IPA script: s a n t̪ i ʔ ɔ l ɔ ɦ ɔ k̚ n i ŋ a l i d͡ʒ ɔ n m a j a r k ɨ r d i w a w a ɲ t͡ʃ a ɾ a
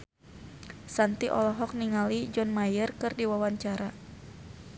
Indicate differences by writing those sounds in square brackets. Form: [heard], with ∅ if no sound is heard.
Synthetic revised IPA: s a n t̪ i ʔ ɔ l ɔ ɦ ɔ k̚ n i ŋ a l i d͡ʒ ɔ n m a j [ə] r k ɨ r d i w a w a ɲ t͡ʃ a ɾ a